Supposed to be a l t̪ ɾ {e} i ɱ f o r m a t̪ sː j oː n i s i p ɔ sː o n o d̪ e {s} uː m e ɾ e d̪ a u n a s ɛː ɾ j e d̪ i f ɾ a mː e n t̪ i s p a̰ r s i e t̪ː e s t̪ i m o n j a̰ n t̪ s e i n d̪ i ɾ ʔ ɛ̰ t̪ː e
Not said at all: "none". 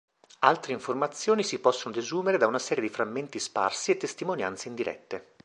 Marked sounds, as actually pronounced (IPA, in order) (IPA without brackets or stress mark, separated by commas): e, z